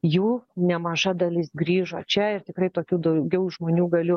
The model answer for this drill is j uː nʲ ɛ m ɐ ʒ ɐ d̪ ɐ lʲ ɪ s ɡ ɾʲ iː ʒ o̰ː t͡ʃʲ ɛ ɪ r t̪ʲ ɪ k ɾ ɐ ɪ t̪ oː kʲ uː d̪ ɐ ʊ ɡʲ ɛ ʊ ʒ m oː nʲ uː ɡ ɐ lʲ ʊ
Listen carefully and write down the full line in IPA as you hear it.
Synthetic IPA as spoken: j uː nʲ ɛ m ɐ ʒ ɐ d̪ ɐ lʲ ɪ s ɡ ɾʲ iː ʒ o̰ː t͡ʃʲ ɛ ɪ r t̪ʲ ɪ k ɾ ɐ ɪ t̪ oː kʲ uː d̪ ɐ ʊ ɡʲ ɛ ʊ ʒ m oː nʲ uː ɡ ɐ lʲ ʊ